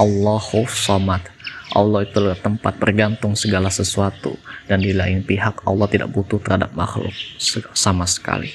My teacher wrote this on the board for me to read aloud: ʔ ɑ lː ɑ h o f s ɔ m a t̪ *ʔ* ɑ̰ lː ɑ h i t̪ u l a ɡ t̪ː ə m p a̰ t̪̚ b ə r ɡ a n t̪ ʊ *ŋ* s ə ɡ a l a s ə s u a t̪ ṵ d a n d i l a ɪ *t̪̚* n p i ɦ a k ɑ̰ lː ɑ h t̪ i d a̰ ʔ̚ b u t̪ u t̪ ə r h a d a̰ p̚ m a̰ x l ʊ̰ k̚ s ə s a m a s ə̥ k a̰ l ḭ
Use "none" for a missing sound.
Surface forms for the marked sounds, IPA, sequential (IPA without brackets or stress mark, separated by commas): ʔ, ŋ, none